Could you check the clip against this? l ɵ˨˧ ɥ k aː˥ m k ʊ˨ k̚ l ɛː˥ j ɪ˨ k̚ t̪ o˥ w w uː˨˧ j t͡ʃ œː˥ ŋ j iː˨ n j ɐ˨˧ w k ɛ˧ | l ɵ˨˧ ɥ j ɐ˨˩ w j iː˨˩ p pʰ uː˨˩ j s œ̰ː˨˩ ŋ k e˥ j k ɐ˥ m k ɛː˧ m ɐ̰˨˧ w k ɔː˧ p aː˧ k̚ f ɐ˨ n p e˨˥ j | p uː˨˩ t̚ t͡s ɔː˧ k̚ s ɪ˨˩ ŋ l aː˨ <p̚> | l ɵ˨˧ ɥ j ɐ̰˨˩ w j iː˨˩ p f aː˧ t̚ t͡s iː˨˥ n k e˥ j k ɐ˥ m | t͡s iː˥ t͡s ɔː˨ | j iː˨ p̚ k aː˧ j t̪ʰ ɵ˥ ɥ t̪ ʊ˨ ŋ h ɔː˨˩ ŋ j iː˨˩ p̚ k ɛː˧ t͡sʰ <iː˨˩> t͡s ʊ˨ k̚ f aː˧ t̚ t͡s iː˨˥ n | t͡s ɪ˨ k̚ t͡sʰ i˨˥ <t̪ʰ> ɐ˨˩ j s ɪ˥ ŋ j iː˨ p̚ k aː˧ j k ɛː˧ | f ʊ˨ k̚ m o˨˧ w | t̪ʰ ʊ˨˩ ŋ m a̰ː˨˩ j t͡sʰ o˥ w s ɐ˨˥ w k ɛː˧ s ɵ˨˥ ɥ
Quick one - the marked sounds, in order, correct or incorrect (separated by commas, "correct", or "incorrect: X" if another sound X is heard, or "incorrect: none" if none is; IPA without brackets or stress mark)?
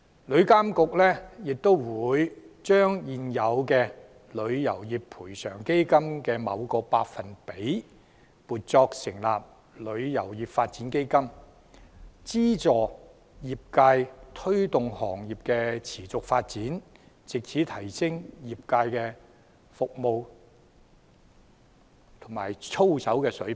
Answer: correct, correct, correct